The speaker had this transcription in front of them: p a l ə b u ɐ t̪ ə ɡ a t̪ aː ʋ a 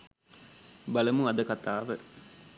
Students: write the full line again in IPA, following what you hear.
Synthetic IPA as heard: b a l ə m u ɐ d̪ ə k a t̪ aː ʋ ə